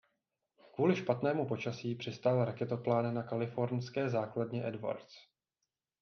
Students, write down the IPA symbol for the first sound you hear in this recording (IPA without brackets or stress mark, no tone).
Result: k